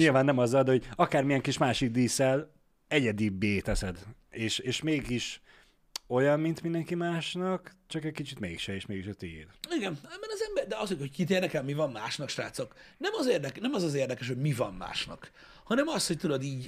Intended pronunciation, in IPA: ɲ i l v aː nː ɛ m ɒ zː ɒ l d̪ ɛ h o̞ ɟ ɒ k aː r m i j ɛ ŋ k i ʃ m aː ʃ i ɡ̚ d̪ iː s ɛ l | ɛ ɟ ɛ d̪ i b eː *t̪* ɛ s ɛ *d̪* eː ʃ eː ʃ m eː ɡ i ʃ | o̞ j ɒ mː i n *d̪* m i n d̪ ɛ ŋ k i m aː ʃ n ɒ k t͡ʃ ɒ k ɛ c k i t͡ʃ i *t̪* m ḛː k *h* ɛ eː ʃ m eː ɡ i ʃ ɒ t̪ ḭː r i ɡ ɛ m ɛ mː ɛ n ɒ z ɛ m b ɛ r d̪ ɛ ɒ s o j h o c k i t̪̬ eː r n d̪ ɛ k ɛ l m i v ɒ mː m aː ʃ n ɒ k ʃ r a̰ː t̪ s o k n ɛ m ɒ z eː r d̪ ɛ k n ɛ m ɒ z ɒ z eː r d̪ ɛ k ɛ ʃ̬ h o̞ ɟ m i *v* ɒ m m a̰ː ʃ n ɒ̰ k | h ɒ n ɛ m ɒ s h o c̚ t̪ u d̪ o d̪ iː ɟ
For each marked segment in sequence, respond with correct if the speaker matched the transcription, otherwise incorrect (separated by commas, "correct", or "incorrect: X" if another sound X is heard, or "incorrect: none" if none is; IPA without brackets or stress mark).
correct, correct, incorrect: t̪, correct, incorrect: ʃ, correct